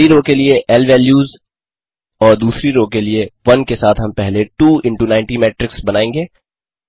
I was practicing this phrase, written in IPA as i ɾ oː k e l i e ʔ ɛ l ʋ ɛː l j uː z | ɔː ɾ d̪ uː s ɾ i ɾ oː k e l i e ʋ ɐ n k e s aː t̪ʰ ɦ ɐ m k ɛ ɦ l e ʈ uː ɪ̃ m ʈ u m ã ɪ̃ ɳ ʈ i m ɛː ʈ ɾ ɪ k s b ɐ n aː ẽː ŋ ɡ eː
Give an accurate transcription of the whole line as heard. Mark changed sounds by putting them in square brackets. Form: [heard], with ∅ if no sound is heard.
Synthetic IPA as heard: i ɾ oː k e l i e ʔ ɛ l ʋ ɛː l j uː z | ɔː ɾ d̪ uː s ɾ i ɾ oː k e l i e ʋ ɐ n k e s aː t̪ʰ ɦ ɐ m [p] ɛ ɦ l e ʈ uː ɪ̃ [ɳ] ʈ u [n] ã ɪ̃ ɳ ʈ i m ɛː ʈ ɾ ɪ k s b ɐ n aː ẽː ŋ ɡ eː